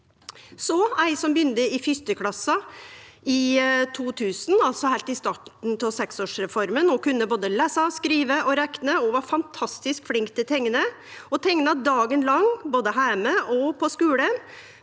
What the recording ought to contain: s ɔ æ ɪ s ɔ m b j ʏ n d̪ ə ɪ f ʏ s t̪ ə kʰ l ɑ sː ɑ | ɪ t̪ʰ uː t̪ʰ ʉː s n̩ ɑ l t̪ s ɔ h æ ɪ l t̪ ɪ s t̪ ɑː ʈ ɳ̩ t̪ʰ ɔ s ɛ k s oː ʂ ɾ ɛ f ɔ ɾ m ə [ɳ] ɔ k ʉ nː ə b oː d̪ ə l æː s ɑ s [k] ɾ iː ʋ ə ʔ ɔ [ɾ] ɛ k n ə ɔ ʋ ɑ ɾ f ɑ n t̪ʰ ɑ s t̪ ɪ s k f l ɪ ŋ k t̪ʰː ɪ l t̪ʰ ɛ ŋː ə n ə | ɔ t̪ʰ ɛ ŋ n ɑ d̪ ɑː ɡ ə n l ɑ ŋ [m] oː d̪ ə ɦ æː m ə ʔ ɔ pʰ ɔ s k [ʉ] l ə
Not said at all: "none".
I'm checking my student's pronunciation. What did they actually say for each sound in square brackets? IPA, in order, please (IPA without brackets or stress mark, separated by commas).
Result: n, k, ɾ, b, ʉː